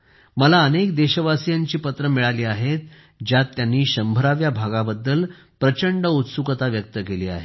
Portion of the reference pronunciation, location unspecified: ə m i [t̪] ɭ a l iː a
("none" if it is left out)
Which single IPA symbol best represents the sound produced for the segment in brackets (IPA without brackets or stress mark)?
none